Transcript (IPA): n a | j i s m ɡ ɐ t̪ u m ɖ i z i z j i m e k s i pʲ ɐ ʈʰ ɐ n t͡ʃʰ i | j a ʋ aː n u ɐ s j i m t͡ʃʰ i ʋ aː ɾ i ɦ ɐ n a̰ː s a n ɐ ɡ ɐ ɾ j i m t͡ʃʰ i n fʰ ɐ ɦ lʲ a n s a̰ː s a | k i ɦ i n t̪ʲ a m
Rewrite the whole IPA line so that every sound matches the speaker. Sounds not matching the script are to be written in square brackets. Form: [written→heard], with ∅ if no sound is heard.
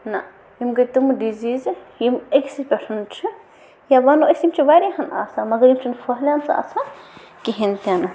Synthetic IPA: n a | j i [s→∅] m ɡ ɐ t̪ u m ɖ i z i z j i m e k s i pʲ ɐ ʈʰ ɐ n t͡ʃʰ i | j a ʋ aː n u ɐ s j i m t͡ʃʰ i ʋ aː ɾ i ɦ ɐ n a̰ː s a [n→m] ɐ ɡ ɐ ɾ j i m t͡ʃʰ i n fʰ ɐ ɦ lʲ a n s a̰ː s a | k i ɦ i n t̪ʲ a [m→n]

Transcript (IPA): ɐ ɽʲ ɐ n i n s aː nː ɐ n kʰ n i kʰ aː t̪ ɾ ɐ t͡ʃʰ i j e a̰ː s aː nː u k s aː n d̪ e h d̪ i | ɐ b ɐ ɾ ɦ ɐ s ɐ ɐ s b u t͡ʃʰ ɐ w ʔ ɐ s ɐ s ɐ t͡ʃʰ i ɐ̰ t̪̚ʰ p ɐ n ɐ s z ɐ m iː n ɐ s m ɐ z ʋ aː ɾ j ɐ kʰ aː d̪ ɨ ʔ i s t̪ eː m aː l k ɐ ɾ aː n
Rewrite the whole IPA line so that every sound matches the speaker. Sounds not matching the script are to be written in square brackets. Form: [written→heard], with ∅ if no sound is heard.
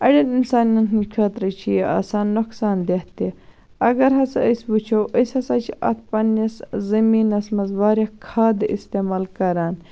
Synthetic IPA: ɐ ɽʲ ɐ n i n s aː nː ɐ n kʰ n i kʰ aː t̪ ɾ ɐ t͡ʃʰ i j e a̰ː s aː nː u k s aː n d̪ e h [d̪→t̪] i | ɐ [b→ɡ] ɐ ɾ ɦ ɐ s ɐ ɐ s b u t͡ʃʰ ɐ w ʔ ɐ s ɐ s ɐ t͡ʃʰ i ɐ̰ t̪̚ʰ p ɐ n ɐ s z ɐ m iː n ɐ s m ɐ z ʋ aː ɾ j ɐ kʰ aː d̪ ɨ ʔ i s t̪ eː m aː l k ɐ ɾ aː n

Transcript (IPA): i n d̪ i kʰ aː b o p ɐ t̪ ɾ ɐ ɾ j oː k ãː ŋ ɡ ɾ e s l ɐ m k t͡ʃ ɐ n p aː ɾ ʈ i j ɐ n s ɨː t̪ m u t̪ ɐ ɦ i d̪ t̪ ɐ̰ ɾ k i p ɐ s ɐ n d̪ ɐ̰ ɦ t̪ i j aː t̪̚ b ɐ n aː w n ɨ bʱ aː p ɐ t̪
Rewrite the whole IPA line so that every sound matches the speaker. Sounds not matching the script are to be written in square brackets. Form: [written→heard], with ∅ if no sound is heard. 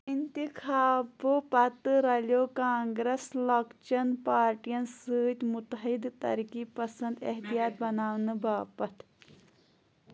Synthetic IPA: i n [d̪→t̪] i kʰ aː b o p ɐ t̪ ɾ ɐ [ɾ→l] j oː k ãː ŋ ɡ ɾ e s l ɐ [m→∅] k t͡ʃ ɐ n p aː ɾ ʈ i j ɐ n s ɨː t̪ m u t̪ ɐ ɦ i d̪ t̪ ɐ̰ ɾ k i p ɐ s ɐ n d̪ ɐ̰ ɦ t̪ i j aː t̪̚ b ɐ n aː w n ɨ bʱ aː p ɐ t̪

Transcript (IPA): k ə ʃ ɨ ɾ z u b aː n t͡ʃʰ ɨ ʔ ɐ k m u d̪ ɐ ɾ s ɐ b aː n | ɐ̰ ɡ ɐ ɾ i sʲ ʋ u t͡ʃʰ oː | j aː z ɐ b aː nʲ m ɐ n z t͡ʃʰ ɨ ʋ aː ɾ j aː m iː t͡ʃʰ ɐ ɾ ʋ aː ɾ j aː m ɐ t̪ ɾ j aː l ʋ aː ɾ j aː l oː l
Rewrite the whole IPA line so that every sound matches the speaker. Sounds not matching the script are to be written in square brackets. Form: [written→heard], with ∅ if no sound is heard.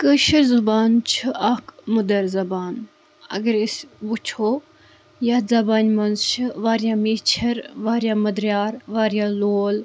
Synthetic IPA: k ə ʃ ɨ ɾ z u b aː n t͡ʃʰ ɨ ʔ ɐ k m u d̪ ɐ ɾ [s→z] ɐ b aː n | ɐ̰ ɡ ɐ ɾ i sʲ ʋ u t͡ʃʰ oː | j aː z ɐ b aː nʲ m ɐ n z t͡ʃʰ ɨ ʋ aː ɾ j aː m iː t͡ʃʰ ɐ ɾ ʋ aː ɾ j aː m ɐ [t̪→d̪] ɾ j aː [l→ɾ] ʋ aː ɾ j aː l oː l

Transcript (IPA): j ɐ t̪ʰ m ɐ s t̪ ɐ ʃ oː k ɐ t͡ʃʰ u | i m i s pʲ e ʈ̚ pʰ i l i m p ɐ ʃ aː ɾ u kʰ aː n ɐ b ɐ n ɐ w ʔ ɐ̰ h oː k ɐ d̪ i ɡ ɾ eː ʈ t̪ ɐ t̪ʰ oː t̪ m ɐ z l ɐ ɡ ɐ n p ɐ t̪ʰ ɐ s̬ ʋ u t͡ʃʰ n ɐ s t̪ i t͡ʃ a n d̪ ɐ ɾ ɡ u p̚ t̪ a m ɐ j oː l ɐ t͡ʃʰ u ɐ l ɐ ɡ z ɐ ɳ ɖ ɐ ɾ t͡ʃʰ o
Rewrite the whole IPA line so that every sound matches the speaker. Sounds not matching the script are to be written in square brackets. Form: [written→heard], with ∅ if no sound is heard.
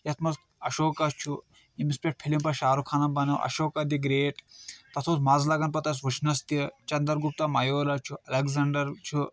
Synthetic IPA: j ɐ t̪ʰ m ɐ s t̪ ɐ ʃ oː k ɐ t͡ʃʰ u | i m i s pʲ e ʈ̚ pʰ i l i m p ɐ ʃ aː ɾ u kʰ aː n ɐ b ɐ n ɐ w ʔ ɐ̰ [h→ʃ] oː k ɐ d̪ i ɡ ɾ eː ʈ t̪ ɐ t̪ʰ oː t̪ m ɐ z l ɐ ɡ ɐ n p ɐ [t̪ʰ→t̪] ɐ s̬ ʋ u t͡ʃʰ n ɐ s t̪ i t͡ʃ [a→ɐ] n d̪ ɐ ɾ ɡ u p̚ t̪ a m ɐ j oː l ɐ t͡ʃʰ u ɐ l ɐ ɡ z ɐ ɳ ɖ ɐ ɾ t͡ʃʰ [o→u]

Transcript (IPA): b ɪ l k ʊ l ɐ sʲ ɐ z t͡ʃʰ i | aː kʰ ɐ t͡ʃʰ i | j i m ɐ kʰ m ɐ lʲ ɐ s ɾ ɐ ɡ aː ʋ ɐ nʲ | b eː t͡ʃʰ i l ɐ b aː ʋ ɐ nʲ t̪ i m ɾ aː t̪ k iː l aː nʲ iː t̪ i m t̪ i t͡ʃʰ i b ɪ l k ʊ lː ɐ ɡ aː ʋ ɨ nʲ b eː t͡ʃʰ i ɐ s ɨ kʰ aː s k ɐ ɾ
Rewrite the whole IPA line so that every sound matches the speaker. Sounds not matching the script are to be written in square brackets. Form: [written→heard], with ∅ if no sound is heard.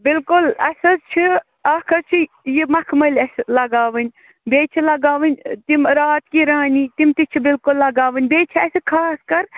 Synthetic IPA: b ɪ l k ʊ l ɐ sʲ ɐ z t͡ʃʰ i | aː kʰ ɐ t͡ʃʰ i | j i m ɐ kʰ m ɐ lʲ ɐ s [ɾ→l] ɐ ɡ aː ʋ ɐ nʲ | b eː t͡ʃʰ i l ɐ [b→ɡ] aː ʋ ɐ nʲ t̪ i m ɾ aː t̪ k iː [l→ɾ] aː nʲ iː t̪ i m t̪ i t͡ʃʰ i b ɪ l k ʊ lː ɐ ɡ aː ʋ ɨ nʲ b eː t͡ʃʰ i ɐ s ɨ kʰ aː s k ɐ ɾ

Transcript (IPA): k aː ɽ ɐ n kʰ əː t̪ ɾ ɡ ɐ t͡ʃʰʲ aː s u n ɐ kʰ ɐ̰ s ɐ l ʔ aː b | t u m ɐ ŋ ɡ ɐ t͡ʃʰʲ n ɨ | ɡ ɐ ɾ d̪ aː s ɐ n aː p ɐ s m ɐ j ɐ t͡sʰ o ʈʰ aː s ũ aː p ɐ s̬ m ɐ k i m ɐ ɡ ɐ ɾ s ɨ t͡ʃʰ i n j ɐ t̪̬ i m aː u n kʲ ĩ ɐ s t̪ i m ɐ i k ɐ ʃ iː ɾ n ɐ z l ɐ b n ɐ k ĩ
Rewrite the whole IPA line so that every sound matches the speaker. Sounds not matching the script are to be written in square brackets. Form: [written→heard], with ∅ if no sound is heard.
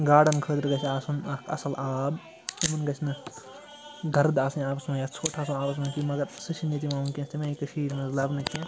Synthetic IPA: [k→ɡ] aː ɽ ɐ n kʰ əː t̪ ɾ ɡ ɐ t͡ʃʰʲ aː s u n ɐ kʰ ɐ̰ s ɐ l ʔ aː b | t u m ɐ [ŋ→n] ɡ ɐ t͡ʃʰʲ n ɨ | ɡ ɐ ɾ d̪ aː s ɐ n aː p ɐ s m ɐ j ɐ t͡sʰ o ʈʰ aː s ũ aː p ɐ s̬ m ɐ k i m ɐ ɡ ɐ ɾ s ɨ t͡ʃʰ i n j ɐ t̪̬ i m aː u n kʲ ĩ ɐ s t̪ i m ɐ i k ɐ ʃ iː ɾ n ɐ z l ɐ b n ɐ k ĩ

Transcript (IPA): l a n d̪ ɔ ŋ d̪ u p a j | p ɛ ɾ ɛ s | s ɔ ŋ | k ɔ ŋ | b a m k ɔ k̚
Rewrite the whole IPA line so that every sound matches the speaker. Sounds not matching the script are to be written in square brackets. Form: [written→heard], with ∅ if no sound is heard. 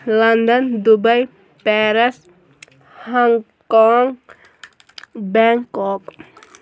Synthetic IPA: l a n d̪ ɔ [ŋ→n] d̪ u [p→b] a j | p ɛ ɾ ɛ s | [s→h] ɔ ŋ | k ɔ ŋ | b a [m→ŋ] k ɔ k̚

